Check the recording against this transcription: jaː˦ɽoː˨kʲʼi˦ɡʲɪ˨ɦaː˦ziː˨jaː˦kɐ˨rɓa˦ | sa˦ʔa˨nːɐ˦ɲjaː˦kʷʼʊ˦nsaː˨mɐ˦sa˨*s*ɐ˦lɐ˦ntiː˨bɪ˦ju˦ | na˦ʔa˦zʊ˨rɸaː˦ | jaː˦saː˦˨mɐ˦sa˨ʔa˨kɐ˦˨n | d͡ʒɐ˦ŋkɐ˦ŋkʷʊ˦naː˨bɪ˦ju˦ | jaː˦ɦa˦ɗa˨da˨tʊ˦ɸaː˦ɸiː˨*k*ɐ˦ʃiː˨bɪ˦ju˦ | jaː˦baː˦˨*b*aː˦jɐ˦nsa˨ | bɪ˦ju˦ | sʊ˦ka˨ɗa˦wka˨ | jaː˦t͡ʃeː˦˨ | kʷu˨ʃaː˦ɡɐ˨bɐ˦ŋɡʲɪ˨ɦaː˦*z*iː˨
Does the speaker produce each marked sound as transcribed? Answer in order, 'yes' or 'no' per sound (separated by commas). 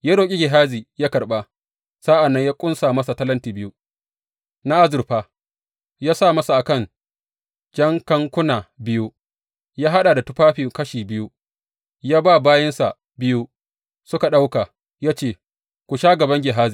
no, yes, yes, yes